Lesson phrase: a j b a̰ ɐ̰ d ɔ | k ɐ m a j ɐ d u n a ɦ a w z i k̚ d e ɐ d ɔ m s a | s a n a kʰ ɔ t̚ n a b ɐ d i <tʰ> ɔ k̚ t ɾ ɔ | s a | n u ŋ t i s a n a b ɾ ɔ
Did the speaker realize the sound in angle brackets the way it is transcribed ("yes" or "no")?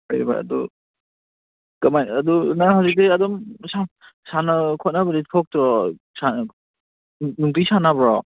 yes